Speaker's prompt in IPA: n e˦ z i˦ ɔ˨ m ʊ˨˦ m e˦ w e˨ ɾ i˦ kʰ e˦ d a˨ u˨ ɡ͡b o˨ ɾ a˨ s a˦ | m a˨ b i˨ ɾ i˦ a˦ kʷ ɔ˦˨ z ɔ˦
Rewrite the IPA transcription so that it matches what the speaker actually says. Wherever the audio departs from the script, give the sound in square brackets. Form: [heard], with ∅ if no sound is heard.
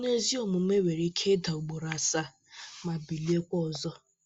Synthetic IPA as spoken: n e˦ z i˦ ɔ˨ m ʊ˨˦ m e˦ w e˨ ɾ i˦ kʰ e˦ d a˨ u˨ ɡ͡b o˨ ɾ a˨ s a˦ | m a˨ b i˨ [l] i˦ [e˦] kʷ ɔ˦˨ z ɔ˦